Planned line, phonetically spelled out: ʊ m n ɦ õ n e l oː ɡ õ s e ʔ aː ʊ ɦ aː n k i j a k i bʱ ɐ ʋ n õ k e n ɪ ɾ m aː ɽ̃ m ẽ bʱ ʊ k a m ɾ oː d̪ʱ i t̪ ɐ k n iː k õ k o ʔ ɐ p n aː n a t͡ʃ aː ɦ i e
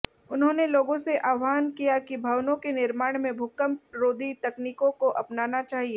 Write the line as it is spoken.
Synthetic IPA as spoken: ʊ n ɦ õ n e l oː ɡ õ s e ʔ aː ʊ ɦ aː n k i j a k i bʱ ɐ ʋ n õ k e n ɪ ɾ m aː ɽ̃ m ẽ bʱ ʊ k ə m ɾ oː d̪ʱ i t̪ ɐ k n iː k õ k o ʔ ɐ p n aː n a t͡ʃ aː ɦ i e